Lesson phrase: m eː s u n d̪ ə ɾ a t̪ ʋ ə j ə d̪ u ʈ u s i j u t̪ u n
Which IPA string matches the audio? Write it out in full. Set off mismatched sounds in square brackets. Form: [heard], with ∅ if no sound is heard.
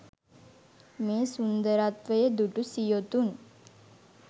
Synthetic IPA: m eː s u n d̪ ə ɾ a t̪ ʋ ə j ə d̪ u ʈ u s i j [o] t̪ u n